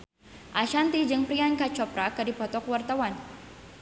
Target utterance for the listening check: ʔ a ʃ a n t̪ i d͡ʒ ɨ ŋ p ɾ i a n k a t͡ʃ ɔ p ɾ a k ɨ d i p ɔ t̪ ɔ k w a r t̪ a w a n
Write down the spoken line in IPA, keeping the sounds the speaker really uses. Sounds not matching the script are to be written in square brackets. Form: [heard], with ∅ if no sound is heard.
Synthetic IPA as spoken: ʔ a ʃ a n t̪ i d͡ʒ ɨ ŋ p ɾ i a n k a t͡ʃ ɔ p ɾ a k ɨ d i p ɔ t̪ ɔ k w a r t̪ a w a n